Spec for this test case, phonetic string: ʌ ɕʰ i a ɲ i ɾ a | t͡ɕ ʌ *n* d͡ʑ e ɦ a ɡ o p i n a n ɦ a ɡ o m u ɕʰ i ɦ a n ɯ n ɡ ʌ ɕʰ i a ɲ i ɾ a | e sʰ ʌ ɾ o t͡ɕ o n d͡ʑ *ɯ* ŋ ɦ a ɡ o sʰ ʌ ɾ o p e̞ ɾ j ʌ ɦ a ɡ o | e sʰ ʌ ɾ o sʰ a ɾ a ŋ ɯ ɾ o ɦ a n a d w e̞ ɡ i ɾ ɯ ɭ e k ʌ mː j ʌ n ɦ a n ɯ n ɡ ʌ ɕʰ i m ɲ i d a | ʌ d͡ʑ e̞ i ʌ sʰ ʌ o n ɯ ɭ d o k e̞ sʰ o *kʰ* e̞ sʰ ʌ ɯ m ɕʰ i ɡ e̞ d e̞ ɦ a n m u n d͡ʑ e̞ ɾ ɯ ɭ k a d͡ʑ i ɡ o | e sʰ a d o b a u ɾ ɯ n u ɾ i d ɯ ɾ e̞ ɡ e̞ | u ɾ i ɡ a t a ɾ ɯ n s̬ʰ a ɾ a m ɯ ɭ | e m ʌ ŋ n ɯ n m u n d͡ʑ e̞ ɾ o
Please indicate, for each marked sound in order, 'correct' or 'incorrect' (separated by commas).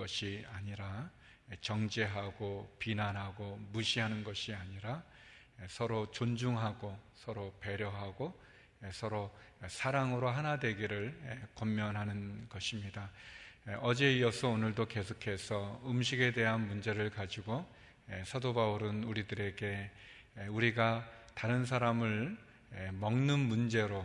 incorrect, incorrect, correct